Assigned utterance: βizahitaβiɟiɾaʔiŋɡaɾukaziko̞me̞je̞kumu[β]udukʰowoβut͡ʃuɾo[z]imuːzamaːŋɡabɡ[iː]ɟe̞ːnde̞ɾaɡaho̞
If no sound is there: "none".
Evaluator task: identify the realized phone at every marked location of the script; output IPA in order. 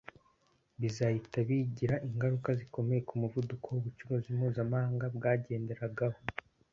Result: v, z, aː

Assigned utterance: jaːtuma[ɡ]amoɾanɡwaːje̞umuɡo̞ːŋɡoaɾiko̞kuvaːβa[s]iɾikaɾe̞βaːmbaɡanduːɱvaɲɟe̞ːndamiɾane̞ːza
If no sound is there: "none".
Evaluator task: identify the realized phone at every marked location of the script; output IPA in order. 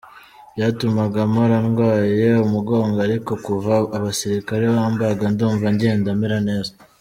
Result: ɡ, s

